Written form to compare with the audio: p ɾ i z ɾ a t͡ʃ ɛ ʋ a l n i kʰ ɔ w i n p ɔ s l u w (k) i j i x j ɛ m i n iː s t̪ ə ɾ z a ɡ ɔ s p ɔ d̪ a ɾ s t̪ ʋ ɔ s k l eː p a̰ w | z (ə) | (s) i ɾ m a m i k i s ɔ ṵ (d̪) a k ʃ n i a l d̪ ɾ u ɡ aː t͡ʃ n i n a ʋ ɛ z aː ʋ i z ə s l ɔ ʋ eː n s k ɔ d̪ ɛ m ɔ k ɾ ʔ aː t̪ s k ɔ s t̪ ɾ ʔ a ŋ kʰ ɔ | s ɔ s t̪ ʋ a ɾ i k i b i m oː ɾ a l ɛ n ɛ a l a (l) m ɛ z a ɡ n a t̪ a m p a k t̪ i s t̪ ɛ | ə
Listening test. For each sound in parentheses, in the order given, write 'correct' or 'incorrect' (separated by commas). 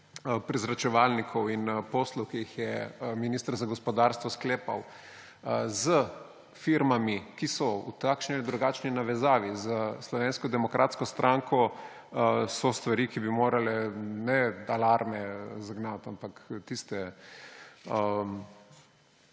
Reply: correct, correct, incorrect, incorrect, incorrect